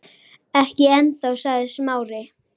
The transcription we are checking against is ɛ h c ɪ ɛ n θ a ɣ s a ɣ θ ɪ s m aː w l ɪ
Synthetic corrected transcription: ɛ h c ɪ ɛ n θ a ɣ s a ɣ ð ɪ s m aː w ɾ ɪ